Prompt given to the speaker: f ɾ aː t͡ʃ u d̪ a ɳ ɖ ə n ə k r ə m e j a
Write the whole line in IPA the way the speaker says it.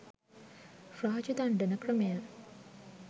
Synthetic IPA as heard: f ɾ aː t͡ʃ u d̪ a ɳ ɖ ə n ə k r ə m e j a

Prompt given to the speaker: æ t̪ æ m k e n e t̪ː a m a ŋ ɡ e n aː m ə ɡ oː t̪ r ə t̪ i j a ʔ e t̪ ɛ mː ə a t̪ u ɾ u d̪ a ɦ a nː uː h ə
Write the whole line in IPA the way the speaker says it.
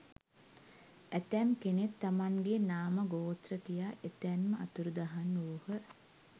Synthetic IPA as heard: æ t̪ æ m k e n e t̪ː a m a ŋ ɡ e n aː m ə ɡ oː t̪ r ə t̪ i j a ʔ e t̪ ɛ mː ə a t̪ u ɾ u d̪ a ɦ a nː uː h ə

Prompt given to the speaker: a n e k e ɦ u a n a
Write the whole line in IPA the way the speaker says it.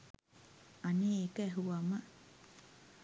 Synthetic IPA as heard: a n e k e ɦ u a m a

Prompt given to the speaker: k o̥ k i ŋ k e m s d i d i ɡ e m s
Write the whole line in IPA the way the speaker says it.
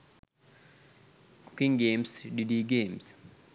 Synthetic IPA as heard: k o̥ k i ŋ ɡ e m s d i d i ɡ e m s

